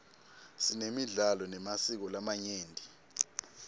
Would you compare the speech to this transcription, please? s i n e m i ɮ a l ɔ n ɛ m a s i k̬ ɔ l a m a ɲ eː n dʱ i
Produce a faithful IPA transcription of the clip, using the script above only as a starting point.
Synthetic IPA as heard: s i n e m i ɮ a l ɔ n ɛ m a s i k̬ ɔ l a m a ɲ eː n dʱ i